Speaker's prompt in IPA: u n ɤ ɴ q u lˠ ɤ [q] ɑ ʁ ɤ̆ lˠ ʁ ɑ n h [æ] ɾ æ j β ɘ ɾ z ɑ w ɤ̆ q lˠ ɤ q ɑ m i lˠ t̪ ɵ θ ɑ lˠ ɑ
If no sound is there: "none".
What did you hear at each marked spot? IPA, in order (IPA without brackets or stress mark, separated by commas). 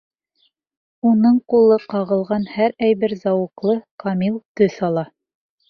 q, æ